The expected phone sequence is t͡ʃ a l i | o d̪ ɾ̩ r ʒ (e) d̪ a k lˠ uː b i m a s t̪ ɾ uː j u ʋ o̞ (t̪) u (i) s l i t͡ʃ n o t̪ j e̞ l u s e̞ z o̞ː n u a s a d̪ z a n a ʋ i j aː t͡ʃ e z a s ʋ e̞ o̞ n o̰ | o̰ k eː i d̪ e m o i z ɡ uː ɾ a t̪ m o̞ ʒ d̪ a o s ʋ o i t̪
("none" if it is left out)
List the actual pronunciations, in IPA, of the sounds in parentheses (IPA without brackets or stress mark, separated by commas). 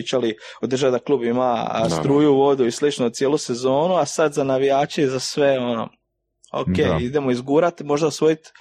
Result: a, d̪, i